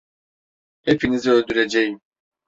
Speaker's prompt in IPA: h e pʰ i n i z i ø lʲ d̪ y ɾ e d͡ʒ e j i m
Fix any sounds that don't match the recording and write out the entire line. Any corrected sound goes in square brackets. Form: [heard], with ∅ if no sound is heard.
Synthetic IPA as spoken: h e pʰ i n i z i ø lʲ d̪ y ɾ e d͡ʒ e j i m